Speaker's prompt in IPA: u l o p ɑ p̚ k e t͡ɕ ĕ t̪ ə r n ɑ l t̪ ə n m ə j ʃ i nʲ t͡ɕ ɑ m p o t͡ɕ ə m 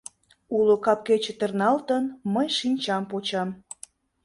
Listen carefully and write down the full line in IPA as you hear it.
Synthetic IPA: u l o k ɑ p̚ k e t͡ɕ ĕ t̪ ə r n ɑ l t̪ ə n m ə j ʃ i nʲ t͡ɕ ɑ m p o t͡ɕ ɑ m

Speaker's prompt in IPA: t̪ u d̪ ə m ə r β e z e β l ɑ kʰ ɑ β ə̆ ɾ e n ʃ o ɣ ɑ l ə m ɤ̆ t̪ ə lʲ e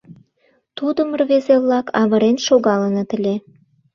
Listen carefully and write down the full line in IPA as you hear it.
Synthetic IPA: t̪ u d̪ ə m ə r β e z e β l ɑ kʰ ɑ β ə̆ ɾ e n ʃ o ɣ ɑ l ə n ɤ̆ t̪ ə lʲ e

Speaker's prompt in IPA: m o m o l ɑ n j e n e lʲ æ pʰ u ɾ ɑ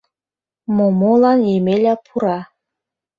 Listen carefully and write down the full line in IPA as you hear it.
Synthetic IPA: m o m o l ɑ n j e m e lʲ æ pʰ u ɾ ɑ

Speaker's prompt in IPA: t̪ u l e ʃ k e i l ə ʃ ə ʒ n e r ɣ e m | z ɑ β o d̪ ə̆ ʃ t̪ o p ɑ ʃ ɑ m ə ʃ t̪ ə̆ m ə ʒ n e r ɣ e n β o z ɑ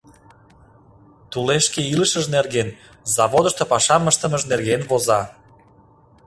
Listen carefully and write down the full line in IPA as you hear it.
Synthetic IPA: t̪ u l e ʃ k e i l ə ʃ ə ʒ n e r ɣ e n | z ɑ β o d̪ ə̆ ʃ t̪ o p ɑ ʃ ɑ m ə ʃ t̪ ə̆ m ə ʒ n e r ɣ e n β o z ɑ

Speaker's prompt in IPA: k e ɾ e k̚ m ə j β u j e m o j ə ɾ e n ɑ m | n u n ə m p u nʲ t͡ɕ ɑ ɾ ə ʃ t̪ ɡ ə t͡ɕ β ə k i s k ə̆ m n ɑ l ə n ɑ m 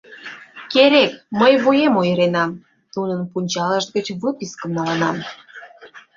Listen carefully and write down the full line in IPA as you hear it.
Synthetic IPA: k e ɾ e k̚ m ə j β u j e m o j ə ɾ e n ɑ m | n u n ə n p u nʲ t͡ɕ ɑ l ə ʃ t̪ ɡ ə t͡ɕ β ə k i s k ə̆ m n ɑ l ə n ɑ m

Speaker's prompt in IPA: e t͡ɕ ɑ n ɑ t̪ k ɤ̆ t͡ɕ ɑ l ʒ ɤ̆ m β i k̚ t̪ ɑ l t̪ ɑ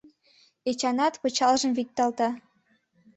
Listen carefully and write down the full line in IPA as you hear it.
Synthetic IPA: e t͡ɕ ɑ n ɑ t̪ p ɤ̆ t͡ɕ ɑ l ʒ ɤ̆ m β i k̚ t̪ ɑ l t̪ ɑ

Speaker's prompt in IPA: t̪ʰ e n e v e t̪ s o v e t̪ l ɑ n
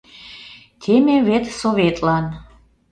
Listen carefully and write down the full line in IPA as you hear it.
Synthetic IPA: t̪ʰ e m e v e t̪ s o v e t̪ l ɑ n

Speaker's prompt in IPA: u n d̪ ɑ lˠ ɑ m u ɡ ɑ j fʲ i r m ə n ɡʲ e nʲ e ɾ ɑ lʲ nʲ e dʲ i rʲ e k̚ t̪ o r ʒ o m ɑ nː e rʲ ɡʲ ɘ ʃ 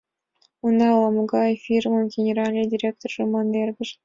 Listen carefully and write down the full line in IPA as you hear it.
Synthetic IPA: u n d̪ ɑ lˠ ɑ m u ɡ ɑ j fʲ i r m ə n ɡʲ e nʲ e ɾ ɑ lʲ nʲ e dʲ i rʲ e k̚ t̪ o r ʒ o m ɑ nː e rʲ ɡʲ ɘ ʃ

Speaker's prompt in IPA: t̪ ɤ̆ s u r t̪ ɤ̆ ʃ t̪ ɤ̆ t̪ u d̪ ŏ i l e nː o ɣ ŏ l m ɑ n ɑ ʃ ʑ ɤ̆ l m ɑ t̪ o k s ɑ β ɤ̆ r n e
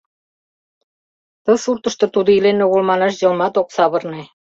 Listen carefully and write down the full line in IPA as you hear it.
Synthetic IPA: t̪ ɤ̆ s u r t̪ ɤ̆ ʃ t̪ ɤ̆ t̪ u d̪ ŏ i l e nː o ɣ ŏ l m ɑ n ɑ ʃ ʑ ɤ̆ l m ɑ t̪ o k s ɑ β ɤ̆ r n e

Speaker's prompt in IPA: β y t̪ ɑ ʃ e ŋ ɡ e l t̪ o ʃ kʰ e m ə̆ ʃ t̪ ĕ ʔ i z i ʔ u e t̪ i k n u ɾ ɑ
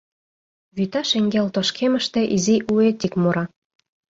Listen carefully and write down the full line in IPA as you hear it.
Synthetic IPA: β y t̪ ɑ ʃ e ŋ ɡ e l t̪ o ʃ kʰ e m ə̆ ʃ t̪ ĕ ʔ i z i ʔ u e t̪ i k m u ɾ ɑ

